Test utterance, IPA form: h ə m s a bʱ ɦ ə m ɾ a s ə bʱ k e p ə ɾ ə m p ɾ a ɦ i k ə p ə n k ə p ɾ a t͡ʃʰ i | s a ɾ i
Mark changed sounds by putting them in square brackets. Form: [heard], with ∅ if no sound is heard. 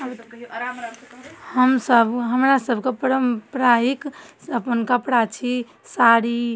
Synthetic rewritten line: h ə m s [ə] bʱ ɦ ə m ɾ a s ə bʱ k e p ə ɾ ə m p ɾ a ɦ i k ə p ə n k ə p [ɽ] a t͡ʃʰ i | s a ɾ i